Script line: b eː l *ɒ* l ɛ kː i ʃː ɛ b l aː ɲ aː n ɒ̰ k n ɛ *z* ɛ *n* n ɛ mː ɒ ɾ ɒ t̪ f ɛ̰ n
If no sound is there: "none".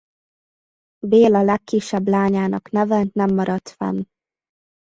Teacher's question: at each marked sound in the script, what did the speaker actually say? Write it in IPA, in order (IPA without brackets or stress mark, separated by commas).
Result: ɒ, v, n